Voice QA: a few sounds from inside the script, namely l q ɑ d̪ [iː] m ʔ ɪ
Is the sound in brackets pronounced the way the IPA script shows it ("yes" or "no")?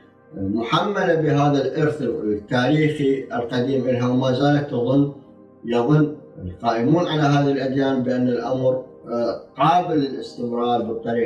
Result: yes